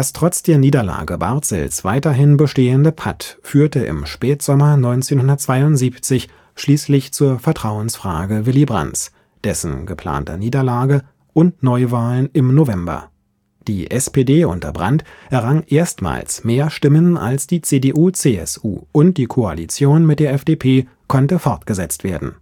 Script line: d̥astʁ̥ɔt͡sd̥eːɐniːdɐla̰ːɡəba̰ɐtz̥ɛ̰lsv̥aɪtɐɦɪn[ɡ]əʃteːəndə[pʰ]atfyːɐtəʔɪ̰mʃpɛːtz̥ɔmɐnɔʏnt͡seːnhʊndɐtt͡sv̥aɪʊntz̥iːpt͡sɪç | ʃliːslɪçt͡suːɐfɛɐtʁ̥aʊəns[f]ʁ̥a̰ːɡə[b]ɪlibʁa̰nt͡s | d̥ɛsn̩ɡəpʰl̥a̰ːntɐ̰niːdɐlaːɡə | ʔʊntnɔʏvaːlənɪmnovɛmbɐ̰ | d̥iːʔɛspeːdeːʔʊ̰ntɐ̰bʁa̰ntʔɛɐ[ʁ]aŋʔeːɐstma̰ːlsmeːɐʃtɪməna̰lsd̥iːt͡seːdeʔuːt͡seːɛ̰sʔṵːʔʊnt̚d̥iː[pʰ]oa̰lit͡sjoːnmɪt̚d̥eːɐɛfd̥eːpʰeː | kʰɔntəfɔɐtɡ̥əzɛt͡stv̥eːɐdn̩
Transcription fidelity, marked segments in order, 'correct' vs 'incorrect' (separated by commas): incorrect, correct, correct, incorrect, correct, incorrect